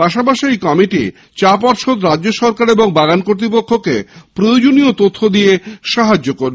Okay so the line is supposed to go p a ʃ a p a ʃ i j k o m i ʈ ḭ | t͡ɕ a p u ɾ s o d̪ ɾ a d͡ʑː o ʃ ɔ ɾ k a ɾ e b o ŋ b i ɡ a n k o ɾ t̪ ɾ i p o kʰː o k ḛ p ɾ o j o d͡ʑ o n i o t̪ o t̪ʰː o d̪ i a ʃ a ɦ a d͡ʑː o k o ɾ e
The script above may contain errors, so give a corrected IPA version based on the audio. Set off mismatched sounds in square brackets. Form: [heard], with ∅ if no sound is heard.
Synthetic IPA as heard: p a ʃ a p a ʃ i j k [ɔ] m i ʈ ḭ | t͡ɕ a p [ɔ] ɾ [ʃ] o d̪ ɾ a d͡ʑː o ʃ ɔ ɾ k a ɾ e b o ŋ b [a] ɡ a n k o ɾ t̪ ɾ i p o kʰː o k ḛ p ɾ o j o d͡ʑ o n i o t̪ o t̪ʰː o d̪ i [e] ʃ a ɦ a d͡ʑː o k o ɾ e